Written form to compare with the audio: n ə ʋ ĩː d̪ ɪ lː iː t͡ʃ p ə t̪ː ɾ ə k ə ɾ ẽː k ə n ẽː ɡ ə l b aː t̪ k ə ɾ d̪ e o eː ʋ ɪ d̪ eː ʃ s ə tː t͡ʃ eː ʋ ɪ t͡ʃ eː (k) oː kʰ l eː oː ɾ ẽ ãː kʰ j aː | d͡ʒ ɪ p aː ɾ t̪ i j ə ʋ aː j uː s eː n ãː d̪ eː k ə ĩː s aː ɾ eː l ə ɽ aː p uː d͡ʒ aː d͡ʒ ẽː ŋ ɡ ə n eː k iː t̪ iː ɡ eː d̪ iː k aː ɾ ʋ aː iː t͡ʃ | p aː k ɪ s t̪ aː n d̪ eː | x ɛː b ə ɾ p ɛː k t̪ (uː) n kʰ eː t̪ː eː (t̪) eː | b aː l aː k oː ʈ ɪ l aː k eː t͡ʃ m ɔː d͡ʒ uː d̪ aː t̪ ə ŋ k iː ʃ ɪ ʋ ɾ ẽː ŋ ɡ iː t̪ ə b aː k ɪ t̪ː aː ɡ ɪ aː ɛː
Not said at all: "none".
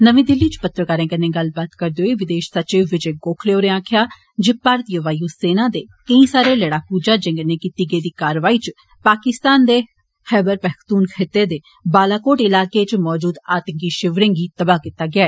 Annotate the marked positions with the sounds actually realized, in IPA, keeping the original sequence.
ɡ, uː, d̪

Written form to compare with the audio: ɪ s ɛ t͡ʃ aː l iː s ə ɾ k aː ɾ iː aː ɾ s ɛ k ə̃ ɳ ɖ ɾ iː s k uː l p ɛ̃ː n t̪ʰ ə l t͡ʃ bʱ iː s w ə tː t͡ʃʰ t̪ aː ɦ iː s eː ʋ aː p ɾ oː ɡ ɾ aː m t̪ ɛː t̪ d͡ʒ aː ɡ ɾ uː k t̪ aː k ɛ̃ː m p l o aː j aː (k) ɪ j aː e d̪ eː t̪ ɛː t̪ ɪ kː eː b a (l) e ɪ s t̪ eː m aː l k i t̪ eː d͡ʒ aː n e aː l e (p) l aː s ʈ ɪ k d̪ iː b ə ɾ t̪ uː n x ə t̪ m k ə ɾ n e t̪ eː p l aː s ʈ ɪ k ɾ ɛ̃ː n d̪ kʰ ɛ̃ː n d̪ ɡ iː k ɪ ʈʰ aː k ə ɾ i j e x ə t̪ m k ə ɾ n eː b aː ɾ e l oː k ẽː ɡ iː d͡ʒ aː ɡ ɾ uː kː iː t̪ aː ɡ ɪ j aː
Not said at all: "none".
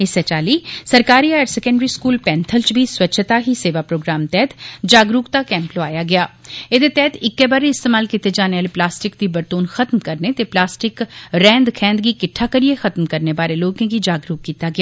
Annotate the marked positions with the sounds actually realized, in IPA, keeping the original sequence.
ɡ, ɾ, p

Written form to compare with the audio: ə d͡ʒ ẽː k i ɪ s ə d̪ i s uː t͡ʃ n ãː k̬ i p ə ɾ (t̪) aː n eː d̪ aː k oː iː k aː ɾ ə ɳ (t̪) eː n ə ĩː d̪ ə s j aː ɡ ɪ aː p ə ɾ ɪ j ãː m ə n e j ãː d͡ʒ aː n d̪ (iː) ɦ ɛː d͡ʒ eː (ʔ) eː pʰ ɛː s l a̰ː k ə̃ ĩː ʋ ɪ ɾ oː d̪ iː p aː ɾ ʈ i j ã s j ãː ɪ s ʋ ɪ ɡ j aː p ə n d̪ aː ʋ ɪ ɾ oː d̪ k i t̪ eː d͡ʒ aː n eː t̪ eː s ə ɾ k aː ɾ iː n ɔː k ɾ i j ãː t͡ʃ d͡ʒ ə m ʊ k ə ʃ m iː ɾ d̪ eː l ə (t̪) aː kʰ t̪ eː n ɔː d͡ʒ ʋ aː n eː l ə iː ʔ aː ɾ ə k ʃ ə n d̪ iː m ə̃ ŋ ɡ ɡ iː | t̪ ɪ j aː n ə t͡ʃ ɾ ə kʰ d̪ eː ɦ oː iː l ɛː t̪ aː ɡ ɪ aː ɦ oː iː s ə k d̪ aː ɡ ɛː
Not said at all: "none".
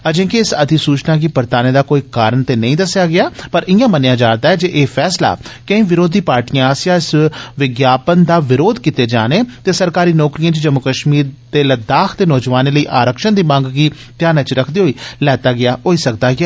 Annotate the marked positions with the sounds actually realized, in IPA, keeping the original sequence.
t̪, t̪, aː, ʔ, d̪

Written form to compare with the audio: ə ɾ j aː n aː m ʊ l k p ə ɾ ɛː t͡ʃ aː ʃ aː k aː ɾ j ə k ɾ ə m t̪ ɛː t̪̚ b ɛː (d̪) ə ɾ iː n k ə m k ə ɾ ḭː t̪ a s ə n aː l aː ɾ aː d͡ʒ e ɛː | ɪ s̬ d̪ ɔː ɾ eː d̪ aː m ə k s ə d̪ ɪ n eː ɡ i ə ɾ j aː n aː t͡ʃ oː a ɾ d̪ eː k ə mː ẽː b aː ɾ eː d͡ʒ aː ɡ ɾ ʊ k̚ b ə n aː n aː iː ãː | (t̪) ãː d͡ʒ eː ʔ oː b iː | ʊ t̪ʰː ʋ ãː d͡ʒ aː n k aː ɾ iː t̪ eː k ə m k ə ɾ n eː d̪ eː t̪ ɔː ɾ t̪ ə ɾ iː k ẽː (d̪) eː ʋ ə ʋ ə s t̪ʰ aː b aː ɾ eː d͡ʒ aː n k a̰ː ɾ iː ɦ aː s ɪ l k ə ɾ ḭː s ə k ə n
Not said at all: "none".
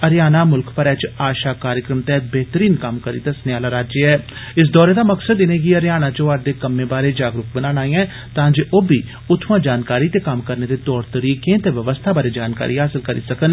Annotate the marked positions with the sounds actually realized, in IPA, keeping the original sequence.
t̪, t̪, t̪

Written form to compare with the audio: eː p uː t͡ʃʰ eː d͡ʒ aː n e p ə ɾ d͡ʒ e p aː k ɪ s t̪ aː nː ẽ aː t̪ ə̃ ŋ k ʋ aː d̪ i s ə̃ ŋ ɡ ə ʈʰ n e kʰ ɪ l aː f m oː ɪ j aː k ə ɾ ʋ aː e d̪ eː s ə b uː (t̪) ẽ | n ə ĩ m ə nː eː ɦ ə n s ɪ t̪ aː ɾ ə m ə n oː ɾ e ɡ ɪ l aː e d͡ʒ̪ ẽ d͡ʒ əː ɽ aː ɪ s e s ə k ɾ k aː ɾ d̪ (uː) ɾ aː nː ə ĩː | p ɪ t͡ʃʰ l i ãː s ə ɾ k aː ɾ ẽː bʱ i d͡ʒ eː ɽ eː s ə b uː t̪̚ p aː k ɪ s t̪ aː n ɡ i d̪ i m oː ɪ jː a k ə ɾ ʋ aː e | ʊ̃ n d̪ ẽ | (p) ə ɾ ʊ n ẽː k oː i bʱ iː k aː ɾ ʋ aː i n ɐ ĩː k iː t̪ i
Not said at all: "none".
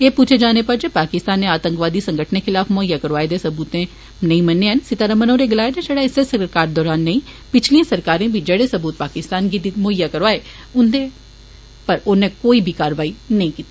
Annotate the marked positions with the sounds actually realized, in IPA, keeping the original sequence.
t̪, ɔː, p

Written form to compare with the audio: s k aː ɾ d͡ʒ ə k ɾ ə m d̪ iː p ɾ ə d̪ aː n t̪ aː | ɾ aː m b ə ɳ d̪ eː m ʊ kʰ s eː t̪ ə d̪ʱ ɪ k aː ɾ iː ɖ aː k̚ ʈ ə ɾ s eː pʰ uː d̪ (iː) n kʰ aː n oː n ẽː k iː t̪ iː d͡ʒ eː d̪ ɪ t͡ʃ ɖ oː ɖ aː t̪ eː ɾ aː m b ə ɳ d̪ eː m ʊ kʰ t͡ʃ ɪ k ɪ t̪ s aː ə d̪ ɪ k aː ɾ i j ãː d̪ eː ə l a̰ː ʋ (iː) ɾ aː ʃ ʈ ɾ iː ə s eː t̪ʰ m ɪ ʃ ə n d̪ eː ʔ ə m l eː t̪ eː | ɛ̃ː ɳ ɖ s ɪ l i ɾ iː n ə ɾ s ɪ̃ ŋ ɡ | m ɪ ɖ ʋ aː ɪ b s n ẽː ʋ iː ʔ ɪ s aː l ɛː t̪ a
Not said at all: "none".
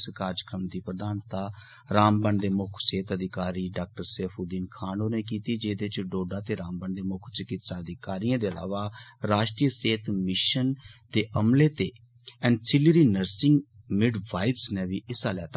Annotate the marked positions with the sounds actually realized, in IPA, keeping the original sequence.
iː, aː

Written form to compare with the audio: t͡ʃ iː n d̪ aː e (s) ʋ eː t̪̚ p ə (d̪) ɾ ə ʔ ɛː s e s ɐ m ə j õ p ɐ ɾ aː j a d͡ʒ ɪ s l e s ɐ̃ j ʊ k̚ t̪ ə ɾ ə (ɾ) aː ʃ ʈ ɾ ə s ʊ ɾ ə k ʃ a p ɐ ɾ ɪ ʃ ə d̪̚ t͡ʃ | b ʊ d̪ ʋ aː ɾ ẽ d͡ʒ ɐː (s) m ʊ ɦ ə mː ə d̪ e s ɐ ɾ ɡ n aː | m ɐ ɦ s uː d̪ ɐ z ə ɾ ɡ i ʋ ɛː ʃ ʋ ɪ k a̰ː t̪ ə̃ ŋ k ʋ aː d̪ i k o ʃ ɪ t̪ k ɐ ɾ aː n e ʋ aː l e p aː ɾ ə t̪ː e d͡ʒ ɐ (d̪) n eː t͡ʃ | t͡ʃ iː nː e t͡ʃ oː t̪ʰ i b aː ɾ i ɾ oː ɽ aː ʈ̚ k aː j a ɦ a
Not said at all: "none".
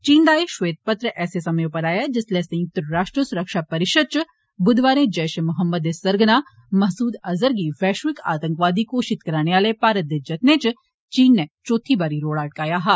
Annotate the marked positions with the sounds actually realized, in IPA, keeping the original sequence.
ʃ, t̪, ɾ, ʃ, t̪

